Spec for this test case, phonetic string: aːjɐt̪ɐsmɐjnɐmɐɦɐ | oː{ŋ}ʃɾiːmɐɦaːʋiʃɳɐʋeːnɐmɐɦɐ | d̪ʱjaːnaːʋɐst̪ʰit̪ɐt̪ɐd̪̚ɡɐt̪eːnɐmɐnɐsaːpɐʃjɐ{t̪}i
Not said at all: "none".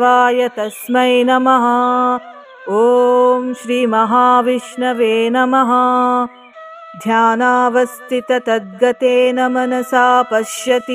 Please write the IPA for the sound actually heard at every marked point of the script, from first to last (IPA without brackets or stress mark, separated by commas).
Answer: m, t̪